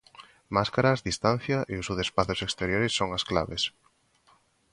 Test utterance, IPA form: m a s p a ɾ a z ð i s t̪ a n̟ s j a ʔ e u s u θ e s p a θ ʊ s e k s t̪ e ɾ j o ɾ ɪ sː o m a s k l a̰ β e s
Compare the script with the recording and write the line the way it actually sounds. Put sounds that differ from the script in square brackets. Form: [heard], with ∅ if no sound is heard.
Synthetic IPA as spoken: m a s [k] a ɾ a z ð i s t̪ a n̟ [θ] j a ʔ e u s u [ð] e s p a θ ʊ s e k s t̪ e ɾ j o ɾ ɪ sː o [ŋ] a s k l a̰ β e s